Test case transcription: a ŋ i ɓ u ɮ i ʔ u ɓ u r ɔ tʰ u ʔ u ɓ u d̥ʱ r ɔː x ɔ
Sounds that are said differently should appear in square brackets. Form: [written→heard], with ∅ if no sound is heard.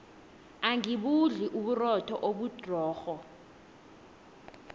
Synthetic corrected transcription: a ŋ i ɓ u ɮ i ʔ u ɓ u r ɔ tʰ [u→ɔ] ʔ [u→o] ɓ u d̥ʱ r ɔː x ɔ